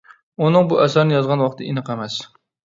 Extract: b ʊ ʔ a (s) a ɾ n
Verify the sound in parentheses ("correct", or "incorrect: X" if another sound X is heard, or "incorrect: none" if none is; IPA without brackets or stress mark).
correct